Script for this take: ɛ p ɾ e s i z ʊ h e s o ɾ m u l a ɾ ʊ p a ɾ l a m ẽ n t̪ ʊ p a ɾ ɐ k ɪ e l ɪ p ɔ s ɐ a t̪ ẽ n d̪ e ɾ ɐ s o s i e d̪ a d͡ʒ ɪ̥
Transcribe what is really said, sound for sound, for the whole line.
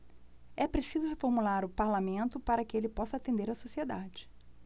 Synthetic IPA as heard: ɛ p ɾ e s i z ʊ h e f o ɾ m u l a ɾ ʊ p a ɾ l a m ẽ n t̪ ʊ p a ɾ ɐ k ɪ e l ɪ p ɔ s ɐ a t̪ ẽ n d̪ e ɾ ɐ s o s i e d̪ a d͡ʒ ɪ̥

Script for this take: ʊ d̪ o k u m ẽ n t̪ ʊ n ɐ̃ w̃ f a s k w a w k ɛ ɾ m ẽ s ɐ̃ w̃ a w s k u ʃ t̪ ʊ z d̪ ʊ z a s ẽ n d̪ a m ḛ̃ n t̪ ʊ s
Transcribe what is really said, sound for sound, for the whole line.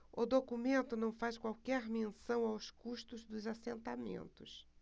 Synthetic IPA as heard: ʊ d̪ o k u m ẽ n t̪ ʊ n ɐ̃ w̃ f a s k w a w k ɛ ɾ m ẽ s ɐ̃ w̃ a w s k u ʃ t̪ ʊ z d̪ ʊ z a s ẽ n t̪ a m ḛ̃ n t̪ ʊ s

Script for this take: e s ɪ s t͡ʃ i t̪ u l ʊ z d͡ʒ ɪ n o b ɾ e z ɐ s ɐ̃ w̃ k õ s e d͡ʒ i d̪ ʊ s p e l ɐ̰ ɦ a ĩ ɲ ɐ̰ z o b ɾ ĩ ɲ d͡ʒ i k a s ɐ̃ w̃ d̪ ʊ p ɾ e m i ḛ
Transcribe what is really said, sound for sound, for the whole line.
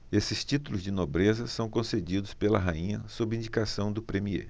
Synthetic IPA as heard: e s ɪ s t͡ʃ i t̪ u l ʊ z d͡ʒ ɪ n o b ɾ e z ɐ s ɐ̃ w̃ k õ s e d͡ʒ i d̪ ʊ s p e l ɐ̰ ɦ a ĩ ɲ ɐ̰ s o b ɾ ĩ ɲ d͡ʒ i k a s ɐ̃ w̃ d̪ ʊ p ɾ e m i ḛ

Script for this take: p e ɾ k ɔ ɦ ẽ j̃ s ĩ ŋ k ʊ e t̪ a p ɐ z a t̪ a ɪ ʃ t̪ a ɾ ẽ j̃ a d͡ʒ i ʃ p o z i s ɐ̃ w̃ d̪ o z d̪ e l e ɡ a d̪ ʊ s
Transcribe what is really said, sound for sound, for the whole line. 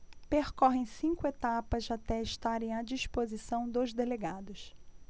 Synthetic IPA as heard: p e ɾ k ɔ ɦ ẽ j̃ s ĩ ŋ k ʊ e t̪ a p ɐ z a t̪ ɛ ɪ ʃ t̪ a ɾ ẽ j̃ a d͡ʒ i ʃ p o z i s ɐ̃ w̃ d̪ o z d̪ e l e ɡ a d̪ ʊ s

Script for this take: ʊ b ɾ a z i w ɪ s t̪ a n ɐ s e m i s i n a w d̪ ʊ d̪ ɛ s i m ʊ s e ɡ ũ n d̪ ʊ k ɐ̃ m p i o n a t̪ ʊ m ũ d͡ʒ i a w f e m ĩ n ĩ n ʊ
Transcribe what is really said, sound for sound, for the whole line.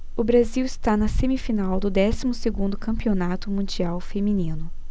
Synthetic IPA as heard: ʊ b ɾ a z i w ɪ s t̪ a n ɐ s e m i f i n a w d̪ ʊ d̪ ɛ s i m ʊ s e ɡ ũ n d̪ ʊ k ɐ̃ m p i o n a t̪ ʊ m ũ d͡ʒ i a w f e m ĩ n ĩ n ʊ

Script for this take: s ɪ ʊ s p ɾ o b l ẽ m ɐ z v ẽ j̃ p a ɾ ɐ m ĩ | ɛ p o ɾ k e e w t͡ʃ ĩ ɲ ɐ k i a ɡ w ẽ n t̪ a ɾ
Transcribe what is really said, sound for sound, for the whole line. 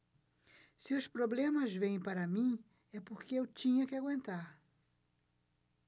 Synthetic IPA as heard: s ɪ ʊ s p ɾ o b l ẽ m ɐ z v ẽ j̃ p a ɾ ɐ m ĩ | ɛ p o ɾ k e e w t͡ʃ ĩ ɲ ɐ k ɪ a ɡ w ẽ n t̪ a ɾ

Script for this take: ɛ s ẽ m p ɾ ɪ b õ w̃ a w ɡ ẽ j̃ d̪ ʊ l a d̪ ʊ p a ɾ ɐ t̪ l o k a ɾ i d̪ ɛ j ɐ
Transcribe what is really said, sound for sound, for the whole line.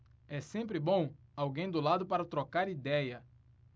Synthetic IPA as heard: ɛ s ẽ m p ɾ ɪ b õ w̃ a w ɡ ẽ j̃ d̪ ʊ l a d̪ ʊ p a ɾ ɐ t̪ ɾ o k a ɾ i d̪ ɛ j ɐ

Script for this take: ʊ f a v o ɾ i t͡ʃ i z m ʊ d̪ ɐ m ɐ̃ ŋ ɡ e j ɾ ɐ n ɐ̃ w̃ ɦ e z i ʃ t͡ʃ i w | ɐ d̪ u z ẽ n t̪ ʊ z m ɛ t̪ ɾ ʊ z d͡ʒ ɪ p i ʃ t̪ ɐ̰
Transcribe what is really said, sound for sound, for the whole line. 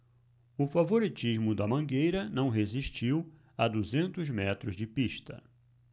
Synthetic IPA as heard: ʊ f a v o ɾ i t͡ʃ i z m ʊ d̪ ɐ m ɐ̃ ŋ ɡ e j ɾ ɐ n ɐ̃ w̃ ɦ e z i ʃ t͡ʃ i w | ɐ d̪ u z ẽ n t̪ ʊ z m ɛ t̪ ɾ ʊ z d͡ʒ ɪ p i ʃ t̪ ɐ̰

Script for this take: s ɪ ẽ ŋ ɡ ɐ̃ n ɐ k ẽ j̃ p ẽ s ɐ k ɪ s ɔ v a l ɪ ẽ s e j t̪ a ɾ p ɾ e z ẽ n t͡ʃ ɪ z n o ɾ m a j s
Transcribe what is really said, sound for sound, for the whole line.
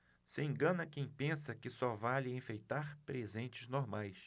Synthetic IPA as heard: s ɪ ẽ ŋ ɡ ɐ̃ n ɐ k ẽ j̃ p ẽ s ɐ k ɪ s ɔ v a l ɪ ẽ f e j t̪ a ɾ p ɾ e z ẽ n t͡ʃ ɪ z n o ɾ m a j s

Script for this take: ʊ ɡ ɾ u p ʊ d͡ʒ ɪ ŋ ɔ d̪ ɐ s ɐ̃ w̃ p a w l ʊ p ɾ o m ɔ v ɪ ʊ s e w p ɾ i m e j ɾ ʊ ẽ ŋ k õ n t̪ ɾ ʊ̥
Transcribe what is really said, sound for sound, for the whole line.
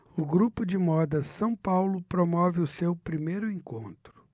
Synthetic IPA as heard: ʊ ɡ ɾ u p ʊ d͡ʒ ɪ m ɔ d̪ ɐ s ɐ̃ w̃ p a w l ʊ p ɾ o m ɔ v ɪ ʊ s e w p ɾ i m e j ɾ ʊ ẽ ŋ k õ n t̪ ɾ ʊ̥

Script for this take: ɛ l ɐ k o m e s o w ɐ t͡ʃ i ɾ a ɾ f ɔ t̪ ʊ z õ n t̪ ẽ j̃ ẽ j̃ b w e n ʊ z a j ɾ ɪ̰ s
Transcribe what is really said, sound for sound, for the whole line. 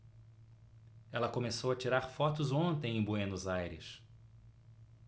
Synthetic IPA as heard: ɛ l ɐ k o m e s o w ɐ t͡ʃ i ɾ a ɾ f ɔ t̪ ʊ z õ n t̪ ẽ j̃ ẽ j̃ b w e n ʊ z a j ɾ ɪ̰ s

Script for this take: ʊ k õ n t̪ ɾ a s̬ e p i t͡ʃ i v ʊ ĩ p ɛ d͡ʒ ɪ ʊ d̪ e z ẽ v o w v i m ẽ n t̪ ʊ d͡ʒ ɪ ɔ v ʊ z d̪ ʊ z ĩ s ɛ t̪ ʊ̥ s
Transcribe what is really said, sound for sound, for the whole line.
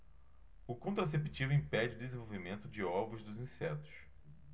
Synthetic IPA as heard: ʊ k õ n t̪ ɾ a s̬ e p i t͡ʃ i v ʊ ĩ p ɛ d͡ʒ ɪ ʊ d̪ e z ẽ v o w v i m ẽ n t̪ ʊ d͡ʒ ɪ ɔ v ʊ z d̪ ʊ z ĩ s ɛ t̪ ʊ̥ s

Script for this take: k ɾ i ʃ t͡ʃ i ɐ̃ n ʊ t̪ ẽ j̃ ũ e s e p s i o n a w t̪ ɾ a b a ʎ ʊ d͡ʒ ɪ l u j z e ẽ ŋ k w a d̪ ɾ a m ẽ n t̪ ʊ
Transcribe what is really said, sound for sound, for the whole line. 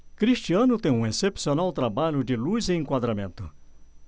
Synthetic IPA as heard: k ɾ i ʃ t͡ʃ i ɐ̃ n ʊ t̪ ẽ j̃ ũ e s e p s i o n a w t̪ ɾ a b a ʎ ʊ d͡ʒ ɪ l u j z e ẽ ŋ k w a d̪ ɾ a m ẽ n t̪ ʊ

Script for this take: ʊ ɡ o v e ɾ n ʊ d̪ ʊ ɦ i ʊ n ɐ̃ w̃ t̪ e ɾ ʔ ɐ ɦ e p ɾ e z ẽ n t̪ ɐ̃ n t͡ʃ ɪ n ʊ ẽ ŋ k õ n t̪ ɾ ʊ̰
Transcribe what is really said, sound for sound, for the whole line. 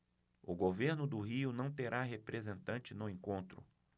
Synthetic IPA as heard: ʊ ɡ o v e ɾ n ʊ d̪ ʊ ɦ i ʊ n ɐ̃ w̃ t̪ e ɾ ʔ a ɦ e p ɾ e z ẽ n t̪ ɐ̃ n t͡ʃ ɪ n ʊ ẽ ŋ k õ n t̪ ɾ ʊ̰

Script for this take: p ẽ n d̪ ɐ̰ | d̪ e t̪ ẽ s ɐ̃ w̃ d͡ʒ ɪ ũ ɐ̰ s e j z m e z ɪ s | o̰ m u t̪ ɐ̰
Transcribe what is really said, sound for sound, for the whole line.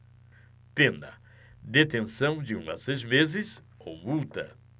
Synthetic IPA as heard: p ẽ n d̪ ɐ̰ | d̪ e t̪ ẽ s ɐ̃ w̃ d͡ʒ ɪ ũ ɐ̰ s e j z m e z ɪ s | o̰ m u t̪ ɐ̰

